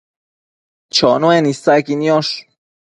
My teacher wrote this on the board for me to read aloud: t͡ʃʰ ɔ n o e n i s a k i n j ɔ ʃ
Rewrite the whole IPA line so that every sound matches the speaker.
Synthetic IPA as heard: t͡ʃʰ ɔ n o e n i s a k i n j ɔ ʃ

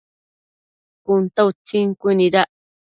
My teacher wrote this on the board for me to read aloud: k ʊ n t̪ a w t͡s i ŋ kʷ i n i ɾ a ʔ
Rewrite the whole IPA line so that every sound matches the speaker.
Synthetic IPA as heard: k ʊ n t̪ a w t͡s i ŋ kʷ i n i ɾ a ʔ

